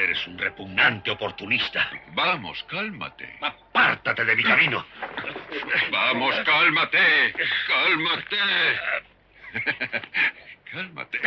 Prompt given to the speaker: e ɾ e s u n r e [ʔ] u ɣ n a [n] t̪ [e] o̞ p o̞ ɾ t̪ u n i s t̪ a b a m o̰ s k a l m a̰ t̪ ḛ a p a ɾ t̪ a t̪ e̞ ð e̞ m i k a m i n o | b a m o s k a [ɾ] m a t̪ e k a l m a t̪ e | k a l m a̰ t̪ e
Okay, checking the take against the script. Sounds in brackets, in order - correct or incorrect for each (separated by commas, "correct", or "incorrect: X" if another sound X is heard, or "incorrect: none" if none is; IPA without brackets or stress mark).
incorrect: p, correct, correct, incorrect: l